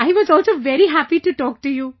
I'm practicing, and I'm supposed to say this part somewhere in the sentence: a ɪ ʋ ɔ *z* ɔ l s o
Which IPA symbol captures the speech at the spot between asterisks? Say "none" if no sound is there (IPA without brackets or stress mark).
z